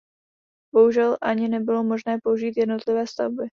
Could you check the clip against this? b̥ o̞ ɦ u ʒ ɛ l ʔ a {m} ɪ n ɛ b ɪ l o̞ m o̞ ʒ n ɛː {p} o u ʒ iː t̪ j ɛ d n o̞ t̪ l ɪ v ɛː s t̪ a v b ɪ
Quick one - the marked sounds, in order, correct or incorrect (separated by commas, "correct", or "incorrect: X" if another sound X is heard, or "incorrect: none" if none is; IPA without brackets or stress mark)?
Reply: incorrect: ɲ, correct